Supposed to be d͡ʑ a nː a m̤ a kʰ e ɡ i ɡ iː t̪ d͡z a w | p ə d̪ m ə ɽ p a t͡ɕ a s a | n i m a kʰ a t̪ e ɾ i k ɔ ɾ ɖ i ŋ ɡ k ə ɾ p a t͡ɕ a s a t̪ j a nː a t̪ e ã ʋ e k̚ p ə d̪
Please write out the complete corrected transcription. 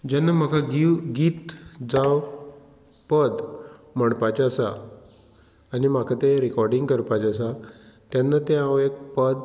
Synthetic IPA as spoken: d͡ʑ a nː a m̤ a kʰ a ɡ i ɡ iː t̪ d͡z a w | p ə d̪ m ə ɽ p a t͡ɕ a s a | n i m a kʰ a t̪ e ɾ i k ɔ ɾ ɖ i ŋ ɡ k ə ɾ p a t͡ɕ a s a t̪ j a nː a t̪ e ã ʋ e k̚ p ə d̪